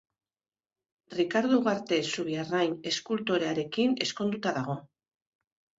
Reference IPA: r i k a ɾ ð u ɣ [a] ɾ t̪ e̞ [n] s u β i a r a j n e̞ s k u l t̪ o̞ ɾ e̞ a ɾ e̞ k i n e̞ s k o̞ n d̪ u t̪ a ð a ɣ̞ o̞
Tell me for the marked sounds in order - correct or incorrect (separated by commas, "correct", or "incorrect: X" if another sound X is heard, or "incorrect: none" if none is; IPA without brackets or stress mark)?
correct, incorrect: none